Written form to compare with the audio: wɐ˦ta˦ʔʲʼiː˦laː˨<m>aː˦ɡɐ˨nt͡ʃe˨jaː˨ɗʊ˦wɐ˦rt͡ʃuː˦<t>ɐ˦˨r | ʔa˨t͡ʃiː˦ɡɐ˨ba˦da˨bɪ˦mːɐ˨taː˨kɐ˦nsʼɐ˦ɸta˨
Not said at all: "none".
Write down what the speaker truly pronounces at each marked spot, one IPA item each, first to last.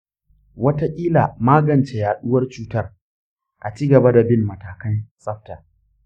m, t

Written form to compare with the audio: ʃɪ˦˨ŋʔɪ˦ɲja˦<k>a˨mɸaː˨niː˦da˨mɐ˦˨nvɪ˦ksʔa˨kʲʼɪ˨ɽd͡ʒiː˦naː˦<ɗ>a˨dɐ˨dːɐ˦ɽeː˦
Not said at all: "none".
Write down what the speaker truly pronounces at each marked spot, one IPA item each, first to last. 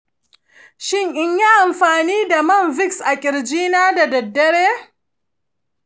ʔ, d

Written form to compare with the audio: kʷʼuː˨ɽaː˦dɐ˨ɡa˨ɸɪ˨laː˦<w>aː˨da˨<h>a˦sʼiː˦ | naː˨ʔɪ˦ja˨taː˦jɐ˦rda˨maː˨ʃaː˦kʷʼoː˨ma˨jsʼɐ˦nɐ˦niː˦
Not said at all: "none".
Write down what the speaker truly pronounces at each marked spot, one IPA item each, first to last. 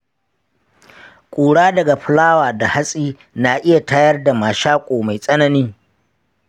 w, h

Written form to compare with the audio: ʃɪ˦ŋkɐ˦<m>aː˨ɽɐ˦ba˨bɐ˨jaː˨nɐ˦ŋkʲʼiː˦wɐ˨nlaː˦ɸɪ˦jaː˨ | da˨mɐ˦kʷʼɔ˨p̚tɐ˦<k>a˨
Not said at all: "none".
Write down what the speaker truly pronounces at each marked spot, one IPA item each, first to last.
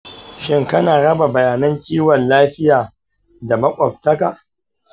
n, k

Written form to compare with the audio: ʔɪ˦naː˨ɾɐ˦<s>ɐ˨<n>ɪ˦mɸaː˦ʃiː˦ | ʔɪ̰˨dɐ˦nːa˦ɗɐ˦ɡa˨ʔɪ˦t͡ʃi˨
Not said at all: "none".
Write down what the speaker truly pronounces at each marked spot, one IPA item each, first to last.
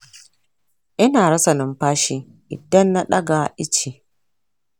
s, n

